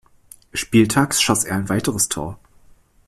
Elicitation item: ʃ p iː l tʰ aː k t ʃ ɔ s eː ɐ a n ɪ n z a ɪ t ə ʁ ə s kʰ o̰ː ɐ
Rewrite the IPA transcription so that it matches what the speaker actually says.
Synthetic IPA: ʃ p iː l tʰ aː k s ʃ ɔ s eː ɐ a ɪ n v a ɪ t ə ʁ ə s tʰ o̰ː ɐ